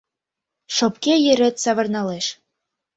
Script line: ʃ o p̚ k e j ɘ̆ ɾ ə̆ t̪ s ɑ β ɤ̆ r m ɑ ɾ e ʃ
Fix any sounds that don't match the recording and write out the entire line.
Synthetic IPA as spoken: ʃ o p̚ k e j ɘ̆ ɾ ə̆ t̪ s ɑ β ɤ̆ r n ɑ l e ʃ

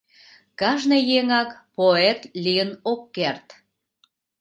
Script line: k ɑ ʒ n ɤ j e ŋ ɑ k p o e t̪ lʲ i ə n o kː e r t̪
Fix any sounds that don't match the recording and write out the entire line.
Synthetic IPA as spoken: k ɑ ʒ n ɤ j e ŋ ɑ k p o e t̪ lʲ i ə n o kː e r t̪

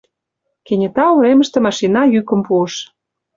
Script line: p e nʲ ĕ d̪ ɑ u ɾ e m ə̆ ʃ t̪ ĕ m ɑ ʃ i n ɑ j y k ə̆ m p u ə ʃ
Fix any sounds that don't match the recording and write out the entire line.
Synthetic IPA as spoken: k e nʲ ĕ t̪ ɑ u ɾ e m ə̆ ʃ t̪ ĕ m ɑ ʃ i n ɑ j y k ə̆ m p u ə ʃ

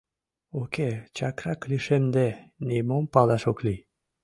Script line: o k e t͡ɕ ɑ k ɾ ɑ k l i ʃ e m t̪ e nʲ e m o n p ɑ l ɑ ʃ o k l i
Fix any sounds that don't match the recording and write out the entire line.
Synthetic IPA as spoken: o k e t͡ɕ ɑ k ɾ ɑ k l i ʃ e m d̪ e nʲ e m o m p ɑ l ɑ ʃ o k l i

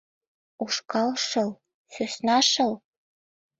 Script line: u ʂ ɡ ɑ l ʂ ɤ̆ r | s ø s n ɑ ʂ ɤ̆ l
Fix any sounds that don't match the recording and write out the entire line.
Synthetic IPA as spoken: u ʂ k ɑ l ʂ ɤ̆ l | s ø s n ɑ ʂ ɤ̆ l

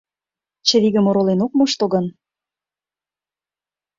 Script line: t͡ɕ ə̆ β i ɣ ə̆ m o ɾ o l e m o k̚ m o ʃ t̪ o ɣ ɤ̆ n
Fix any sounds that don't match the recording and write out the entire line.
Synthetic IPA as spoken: t͡ɕ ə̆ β i ɣ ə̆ m o ɾ o l e n o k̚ m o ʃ t̪ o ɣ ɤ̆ n

